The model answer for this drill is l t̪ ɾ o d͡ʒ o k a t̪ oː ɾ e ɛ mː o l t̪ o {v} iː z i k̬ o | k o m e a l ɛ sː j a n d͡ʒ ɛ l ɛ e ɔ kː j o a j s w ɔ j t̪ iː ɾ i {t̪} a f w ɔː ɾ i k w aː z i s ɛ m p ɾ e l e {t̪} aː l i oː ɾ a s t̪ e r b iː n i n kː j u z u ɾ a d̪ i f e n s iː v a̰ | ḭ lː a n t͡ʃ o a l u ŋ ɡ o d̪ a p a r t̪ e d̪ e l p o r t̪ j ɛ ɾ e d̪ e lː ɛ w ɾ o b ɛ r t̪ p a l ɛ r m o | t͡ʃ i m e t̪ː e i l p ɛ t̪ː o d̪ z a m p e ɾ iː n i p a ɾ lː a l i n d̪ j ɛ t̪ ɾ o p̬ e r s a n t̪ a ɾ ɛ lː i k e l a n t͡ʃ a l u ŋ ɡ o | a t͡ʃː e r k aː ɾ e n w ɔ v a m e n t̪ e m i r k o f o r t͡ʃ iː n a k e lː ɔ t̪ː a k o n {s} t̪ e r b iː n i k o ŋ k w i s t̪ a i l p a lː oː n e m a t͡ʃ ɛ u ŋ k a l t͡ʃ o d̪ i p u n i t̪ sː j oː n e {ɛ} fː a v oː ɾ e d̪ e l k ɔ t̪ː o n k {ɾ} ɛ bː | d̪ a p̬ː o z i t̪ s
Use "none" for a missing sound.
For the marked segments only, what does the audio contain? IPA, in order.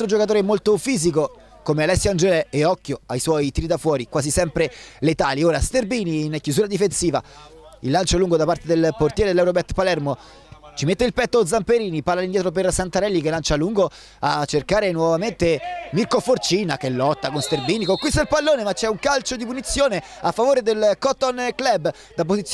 f, d̪, t̪, s, a, l

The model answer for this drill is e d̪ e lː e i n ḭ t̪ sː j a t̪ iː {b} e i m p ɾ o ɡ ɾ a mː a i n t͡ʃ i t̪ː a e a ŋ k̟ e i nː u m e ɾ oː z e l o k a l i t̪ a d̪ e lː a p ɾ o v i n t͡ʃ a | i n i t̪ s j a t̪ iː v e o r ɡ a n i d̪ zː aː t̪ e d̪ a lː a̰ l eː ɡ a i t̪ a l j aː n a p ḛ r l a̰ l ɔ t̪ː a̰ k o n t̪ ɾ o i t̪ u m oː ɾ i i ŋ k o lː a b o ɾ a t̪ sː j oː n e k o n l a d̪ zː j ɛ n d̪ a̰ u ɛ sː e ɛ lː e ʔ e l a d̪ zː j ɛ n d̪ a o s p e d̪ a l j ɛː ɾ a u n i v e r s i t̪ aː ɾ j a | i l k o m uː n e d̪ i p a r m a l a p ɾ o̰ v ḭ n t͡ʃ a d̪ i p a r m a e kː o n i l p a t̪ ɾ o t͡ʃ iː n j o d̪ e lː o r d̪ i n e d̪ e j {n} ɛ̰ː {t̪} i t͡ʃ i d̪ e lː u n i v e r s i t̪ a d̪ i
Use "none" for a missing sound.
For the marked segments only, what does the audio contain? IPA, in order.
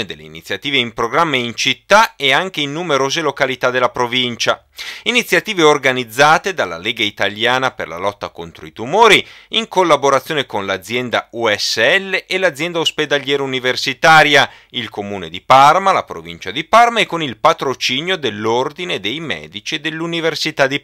v, m, d̪

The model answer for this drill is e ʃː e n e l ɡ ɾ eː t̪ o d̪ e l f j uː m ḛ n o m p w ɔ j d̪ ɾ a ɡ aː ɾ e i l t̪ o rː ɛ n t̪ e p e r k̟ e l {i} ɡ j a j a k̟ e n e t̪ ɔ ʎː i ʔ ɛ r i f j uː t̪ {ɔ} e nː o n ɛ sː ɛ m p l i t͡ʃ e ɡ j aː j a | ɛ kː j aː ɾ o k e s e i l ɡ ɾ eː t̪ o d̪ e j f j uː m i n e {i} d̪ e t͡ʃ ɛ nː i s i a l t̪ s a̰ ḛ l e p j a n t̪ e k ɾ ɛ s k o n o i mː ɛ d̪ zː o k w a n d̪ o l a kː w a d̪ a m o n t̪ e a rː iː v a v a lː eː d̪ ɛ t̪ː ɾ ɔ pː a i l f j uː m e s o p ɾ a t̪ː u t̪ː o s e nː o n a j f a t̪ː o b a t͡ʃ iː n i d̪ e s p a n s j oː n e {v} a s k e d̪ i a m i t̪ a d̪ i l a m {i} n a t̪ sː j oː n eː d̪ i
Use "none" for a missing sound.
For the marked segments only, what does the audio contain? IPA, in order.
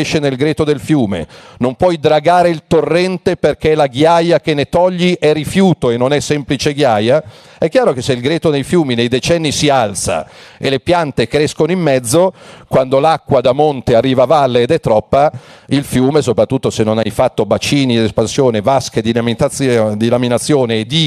a, o, j, v, i

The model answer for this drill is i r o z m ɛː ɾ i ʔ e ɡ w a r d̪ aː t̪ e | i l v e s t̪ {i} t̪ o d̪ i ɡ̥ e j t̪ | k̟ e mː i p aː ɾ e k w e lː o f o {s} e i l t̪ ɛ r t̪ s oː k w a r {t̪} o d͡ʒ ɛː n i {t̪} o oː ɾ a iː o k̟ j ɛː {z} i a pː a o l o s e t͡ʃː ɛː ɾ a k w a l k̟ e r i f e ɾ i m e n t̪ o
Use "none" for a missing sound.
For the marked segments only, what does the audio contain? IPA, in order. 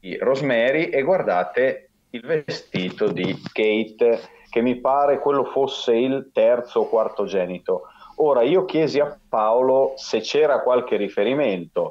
iː, sː, t̪, t̪, z

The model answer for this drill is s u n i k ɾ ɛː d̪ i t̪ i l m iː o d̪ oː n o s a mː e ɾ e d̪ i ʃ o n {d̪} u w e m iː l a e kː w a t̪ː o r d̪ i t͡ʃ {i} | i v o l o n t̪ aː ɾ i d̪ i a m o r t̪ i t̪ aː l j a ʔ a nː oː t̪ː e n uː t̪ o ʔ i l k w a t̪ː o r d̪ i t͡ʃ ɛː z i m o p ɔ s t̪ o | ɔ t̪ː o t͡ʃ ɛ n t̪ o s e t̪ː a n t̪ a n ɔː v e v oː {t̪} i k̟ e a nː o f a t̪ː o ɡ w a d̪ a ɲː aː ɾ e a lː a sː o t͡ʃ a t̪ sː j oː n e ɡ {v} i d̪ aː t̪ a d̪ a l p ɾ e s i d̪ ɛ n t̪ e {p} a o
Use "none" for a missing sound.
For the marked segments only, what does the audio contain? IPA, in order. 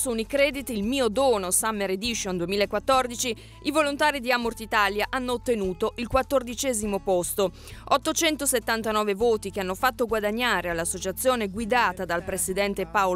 d̪, i, t̪, w, p

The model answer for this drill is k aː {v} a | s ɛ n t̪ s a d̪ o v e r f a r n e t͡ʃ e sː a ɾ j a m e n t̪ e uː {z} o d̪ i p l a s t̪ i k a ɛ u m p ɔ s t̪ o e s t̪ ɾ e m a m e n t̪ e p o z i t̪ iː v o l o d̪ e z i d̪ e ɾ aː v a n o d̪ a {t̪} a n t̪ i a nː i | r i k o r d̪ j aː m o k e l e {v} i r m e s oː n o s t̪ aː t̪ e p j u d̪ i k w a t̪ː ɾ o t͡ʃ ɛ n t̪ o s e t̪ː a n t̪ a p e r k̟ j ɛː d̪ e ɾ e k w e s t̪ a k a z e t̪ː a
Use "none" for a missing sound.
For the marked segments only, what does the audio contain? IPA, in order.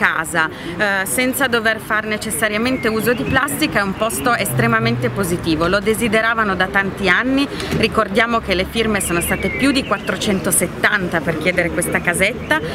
z, z, t̪, f

